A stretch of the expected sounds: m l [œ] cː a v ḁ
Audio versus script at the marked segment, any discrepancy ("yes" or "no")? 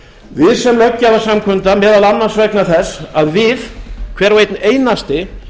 no